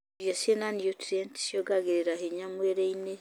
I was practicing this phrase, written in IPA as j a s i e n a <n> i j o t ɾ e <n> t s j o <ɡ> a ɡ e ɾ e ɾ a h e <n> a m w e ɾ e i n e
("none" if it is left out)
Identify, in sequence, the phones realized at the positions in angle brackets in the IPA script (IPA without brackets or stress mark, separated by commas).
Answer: n, n, ɡ, ɲ